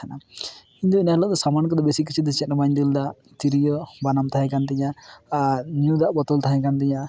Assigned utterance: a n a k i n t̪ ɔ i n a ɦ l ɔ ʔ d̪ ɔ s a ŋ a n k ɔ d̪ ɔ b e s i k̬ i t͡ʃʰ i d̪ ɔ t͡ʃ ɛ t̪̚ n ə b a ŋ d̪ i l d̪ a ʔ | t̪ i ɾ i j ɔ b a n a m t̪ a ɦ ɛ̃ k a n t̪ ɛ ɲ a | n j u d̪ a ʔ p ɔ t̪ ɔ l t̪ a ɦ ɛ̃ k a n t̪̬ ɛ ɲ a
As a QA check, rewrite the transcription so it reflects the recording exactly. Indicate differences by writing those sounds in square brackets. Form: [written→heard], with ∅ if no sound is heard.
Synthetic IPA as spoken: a n a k i n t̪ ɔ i n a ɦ l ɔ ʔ d̪ ɔ s a [ŋ→m] a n k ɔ d̪ ɔ b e s i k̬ i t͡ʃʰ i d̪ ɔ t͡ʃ ɛ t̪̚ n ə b a [ŋ→ɲ] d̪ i l d̪ a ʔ | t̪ i ɾ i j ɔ b a n a m t̪ a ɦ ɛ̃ k a n t̪ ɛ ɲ a | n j u d̪ a ʔ [p→b] ɔ t̪ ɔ l t̪ a ɦ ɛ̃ k a n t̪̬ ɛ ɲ a